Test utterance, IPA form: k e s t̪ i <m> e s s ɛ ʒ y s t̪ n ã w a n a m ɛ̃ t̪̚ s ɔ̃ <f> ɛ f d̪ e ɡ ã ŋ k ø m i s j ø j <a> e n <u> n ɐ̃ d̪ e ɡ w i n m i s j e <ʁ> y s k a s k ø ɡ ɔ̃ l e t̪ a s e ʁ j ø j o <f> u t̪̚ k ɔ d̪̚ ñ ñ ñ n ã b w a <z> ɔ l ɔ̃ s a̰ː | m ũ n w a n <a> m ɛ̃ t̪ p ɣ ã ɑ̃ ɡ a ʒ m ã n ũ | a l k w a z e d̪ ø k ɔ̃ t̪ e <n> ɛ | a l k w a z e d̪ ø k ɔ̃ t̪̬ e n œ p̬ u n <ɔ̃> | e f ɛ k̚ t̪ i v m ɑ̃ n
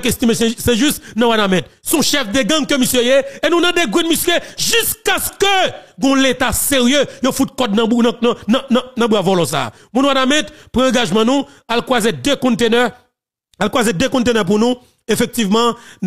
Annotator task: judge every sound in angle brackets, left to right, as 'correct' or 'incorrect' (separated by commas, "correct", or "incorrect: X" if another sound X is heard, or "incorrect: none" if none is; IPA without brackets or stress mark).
correct, incorrect: ʃ, incorrect: e, incorrect: ũ, incorrect: ʒ, correct, incorrect: v, correct, correct, incorrect: ũ